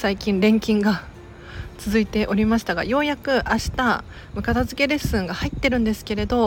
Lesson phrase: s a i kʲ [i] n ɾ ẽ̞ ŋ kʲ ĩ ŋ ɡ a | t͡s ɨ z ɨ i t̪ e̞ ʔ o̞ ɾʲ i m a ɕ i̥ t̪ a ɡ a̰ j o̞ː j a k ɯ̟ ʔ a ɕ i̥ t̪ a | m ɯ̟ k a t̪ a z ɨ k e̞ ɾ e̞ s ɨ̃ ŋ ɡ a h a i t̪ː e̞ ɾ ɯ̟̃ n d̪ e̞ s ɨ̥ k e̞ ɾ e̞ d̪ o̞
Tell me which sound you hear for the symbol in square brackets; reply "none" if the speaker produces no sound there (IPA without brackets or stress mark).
ĩ